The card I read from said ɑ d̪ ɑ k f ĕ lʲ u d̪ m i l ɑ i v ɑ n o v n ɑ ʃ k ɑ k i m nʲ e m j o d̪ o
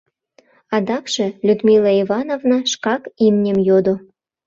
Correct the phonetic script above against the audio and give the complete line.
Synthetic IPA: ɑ d̪ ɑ k ʃ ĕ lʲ u d̪ m i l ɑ i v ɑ n o v n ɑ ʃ k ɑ k i m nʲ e m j o d̪ o